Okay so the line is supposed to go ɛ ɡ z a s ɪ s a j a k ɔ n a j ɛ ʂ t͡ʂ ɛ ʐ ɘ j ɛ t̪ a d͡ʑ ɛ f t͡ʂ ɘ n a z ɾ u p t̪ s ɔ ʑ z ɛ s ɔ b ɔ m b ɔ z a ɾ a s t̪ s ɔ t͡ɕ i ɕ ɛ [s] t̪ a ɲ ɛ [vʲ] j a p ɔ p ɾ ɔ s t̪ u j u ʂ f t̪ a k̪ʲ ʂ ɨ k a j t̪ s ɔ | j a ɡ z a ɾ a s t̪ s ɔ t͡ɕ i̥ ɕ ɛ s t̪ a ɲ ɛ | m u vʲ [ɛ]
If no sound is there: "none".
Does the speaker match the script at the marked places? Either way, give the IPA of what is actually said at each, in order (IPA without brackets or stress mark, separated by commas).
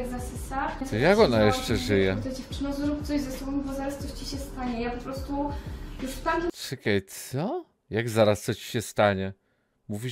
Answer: s, none, i